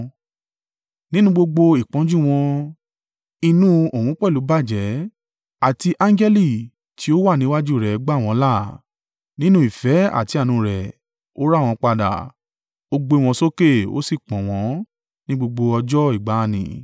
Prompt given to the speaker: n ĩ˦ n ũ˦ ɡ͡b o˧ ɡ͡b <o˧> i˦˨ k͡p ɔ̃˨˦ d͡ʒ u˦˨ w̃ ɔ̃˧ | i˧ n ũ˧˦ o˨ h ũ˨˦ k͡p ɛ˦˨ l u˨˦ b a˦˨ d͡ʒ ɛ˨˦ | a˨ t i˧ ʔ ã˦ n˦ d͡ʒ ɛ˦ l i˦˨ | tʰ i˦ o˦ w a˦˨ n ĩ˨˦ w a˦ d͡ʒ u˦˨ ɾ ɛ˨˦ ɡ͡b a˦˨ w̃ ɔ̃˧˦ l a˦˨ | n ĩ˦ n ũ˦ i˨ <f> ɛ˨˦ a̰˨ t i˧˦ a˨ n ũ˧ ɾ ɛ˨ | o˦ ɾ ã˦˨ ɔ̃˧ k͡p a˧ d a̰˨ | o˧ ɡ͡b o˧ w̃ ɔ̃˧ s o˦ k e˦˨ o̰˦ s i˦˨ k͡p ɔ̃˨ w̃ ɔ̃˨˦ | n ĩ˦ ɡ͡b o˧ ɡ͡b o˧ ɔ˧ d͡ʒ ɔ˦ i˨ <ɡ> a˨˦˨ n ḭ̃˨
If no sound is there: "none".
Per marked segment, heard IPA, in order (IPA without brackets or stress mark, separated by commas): o˧, f, ɡ͡b